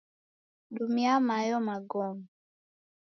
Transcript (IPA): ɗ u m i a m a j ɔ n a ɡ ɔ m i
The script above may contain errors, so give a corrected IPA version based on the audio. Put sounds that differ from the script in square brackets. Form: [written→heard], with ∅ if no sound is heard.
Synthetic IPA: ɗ u m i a m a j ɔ [n→m] a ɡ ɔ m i